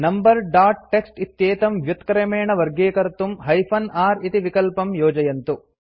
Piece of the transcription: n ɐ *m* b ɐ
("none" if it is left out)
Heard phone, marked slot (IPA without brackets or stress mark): m